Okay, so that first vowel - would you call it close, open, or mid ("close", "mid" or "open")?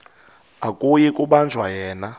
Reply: open